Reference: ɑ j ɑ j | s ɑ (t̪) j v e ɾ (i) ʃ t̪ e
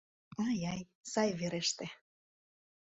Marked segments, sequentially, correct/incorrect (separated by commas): incorrect, incorrect